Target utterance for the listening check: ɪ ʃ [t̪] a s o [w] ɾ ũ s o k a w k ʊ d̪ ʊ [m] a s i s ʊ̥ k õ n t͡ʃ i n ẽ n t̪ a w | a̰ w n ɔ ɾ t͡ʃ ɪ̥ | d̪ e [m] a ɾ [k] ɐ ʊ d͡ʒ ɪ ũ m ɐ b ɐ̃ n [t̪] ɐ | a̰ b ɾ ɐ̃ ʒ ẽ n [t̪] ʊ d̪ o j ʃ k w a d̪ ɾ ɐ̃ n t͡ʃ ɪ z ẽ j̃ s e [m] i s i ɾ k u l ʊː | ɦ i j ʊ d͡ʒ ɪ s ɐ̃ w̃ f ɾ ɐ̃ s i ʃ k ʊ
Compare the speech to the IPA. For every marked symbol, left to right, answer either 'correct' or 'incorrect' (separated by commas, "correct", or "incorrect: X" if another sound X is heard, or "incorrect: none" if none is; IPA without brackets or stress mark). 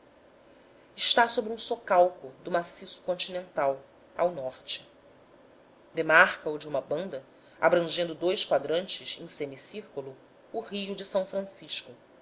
correct, incorrect: b, correct, correct, correct, incorrect: d̪, incorrect: d̪, correct